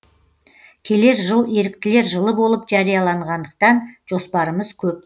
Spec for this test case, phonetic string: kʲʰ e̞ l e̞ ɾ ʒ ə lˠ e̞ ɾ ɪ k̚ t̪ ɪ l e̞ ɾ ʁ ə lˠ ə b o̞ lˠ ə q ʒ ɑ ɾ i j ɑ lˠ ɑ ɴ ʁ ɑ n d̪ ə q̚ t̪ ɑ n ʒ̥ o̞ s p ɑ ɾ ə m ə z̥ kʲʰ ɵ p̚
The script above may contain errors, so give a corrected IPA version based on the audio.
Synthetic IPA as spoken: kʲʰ e̞ l e̞ ɾ ʒ ə lˠ e̞ ɾ ɪ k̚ t̪ ɪ l e̞ ɾ ʒ ə lˠ ə b o̞ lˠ ə p ʒ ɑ ɾ i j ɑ lˠ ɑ ɴ ʁ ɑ n d̪ ə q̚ t̪ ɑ n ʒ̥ o̞ s p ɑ ɾ ə m ə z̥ kʲʰ ɵ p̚